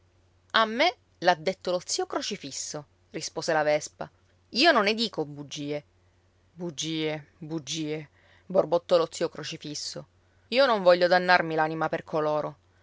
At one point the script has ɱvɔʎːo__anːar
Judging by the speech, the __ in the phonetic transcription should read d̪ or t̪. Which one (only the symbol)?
d̪